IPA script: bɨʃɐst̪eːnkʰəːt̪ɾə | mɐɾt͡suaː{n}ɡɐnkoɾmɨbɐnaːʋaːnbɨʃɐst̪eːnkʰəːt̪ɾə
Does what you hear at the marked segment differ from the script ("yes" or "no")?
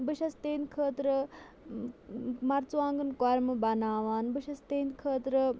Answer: yes